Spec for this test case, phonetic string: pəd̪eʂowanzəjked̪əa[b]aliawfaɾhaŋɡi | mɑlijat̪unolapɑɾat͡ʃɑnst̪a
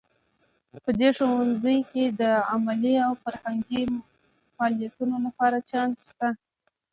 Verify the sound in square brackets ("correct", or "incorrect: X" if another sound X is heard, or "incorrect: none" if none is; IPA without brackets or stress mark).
incorrect: m